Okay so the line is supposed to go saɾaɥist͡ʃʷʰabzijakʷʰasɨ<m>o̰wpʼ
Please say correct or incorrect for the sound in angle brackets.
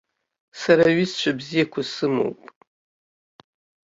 correct